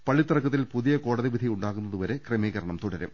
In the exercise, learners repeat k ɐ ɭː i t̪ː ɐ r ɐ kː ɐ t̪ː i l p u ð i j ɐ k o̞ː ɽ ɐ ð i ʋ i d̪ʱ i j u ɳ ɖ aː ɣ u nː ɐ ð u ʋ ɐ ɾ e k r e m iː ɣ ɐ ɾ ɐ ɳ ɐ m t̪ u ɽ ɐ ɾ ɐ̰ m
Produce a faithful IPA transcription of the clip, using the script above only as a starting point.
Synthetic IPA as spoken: p ɐ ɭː i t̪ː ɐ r ɐ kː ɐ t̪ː i l p u ð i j ɐ k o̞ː ɽ ɐ ð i ʋ i d̪ʱ i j u ɳ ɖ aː ɣ u nː ɐ ð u ʋ ɐ ɾ e k r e m iː ɣ ɐ ɾ ɐ ɳ ɐ m t̪ u ɽ ɐ ɾ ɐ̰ m